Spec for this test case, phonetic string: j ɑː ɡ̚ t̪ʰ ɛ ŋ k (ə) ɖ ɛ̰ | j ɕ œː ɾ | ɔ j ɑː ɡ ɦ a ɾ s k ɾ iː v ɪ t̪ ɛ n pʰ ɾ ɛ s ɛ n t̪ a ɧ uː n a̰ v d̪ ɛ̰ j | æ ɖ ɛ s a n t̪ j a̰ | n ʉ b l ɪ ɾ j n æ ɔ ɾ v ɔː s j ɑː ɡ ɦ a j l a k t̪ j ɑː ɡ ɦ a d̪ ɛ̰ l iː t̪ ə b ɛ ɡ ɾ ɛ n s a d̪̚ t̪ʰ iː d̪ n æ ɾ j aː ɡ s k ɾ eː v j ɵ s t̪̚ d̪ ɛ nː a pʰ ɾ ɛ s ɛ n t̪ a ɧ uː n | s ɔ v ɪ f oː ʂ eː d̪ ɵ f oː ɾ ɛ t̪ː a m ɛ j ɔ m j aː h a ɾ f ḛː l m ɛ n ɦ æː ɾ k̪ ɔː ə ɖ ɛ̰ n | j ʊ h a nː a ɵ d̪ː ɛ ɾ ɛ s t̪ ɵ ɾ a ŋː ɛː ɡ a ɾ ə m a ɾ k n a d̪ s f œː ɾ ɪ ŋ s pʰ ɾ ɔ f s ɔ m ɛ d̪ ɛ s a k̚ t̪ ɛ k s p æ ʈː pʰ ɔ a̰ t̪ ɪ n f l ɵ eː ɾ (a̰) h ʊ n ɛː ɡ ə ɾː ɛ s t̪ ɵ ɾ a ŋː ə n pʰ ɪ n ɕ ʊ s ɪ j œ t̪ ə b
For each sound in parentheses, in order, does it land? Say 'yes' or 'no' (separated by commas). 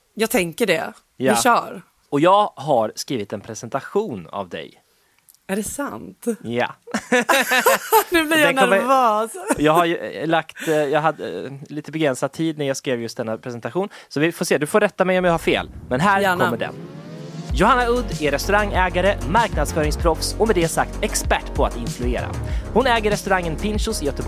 yes, yes